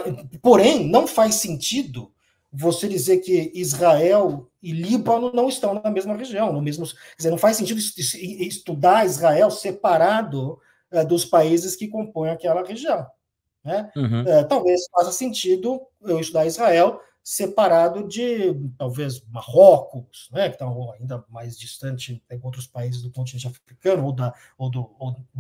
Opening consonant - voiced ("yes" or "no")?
no